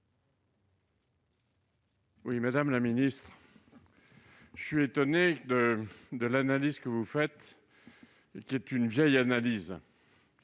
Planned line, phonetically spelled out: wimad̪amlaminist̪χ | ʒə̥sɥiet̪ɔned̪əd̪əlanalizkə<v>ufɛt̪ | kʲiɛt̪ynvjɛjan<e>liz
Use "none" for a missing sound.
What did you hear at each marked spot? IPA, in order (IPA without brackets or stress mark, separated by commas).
v, a